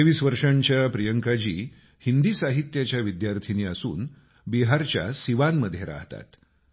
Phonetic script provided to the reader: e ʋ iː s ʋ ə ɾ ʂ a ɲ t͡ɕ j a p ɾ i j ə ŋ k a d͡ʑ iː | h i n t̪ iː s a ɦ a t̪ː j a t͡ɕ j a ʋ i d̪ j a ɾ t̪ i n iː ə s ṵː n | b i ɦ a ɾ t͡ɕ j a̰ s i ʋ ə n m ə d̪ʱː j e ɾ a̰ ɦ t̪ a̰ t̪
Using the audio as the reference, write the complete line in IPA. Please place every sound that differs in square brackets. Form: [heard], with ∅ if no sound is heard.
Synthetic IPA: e ʋ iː s ʋ ə ɾ ʂ a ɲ t͡ɕ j a p ɾ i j ə ŋ k a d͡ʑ iː | h i n [d̪] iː s a ɦ [i] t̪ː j a t͡ɕ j a ʋ i d̪ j a ɾ [t̪ʰ] i n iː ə s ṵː n | b i ɦ a ɾ t͡ɕ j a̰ s i ʋ [a] n m ə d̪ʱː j e ɾ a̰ ɦ t̪ a̰ t̪